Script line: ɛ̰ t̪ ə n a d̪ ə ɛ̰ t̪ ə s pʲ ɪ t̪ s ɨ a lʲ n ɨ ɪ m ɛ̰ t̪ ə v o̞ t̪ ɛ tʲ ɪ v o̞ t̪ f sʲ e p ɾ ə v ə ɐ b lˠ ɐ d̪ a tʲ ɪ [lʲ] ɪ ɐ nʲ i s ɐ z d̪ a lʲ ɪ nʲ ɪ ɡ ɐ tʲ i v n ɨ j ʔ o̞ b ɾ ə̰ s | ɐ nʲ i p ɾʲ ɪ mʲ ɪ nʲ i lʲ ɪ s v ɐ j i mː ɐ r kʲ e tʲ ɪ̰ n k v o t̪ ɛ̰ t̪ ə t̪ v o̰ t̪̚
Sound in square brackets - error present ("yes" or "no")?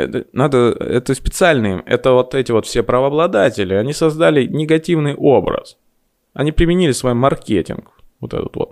no